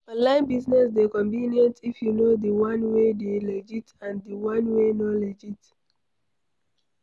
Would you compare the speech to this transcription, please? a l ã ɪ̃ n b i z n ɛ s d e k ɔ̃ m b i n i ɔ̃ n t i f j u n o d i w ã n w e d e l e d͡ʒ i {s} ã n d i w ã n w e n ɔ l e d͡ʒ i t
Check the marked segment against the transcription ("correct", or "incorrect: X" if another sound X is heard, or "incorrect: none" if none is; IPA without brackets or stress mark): incorrect: t